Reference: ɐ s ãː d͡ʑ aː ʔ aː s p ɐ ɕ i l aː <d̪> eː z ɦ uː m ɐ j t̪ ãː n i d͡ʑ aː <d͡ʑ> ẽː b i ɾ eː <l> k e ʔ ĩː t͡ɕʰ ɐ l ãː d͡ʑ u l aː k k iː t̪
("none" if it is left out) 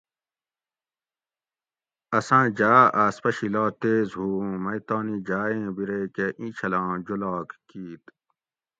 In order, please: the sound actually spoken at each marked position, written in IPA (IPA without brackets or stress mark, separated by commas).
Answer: t̪, none, none